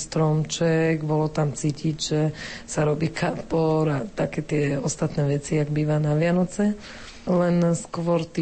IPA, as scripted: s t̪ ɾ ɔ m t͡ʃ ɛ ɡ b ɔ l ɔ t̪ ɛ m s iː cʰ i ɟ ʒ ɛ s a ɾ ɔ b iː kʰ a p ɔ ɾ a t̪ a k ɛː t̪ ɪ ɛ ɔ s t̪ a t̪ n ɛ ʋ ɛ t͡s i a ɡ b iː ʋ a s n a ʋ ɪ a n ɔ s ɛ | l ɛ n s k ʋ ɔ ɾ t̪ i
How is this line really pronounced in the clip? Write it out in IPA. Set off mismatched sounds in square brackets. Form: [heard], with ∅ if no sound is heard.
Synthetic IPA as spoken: s t̪ ɾ ɔ m t͡ʃ ɛ ɡ b ɔ l ɔ t̪ [a] m [t͡s] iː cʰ i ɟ ʒ ɛ s a ɾ ɔ b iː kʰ a p ɔ ɾ a t̪ a k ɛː t̪ ɪ ɛ ɔ s t̪ a t̪ n ɛ ʋ ɛ t͡s i a ɡ b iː ʋ a [∅] n a ʋ ɪ a n ɔ [t͡s] ɛ | l ɛ n s k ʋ ɔ ɾ t̪ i